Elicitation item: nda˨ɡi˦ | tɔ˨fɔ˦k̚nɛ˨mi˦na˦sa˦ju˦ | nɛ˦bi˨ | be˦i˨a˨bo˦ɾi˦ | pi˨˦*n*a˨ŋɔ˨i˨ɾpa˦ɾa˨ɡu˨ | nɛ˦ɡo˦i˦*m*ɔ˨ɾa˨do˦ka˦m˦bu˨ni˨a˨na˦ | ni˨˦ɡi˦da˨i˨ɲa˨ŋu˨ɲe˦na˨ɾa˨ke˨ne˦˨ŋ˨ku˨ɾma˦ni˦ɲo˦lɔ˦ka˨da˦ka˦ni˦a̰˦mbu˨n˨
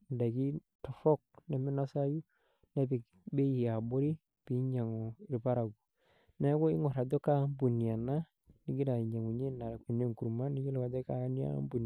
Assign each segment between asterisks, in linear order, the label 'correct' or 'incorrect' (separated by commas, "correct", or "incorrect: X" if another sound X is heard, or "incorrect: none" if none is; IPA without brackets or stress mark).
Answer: incorrect: ɲ, incorrect: ŋ